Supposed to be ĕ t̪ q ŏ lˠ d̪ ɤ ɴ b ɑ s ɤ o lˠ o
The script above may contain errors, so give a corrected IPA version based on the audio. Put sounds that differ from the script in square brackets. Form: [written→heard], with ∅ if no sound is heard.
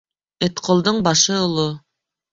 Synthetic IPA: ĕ t̪ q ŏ lˠ d̪ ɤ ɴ b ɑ [s→ʃ] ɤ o lˠ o